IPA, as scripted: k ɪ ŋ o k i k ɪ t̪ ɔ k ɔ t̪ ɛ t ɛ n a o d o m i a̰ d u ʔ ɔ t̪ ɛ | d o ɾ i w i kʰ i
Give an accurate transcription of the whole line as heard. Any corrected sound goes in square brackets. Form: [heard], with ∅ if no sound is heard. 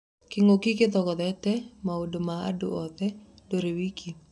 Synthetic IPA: k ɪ ŋ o k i k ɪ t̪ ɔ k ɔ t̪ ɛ t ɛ [m] a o d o m [a] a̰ d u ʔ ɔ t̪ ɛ | d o ɾ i w i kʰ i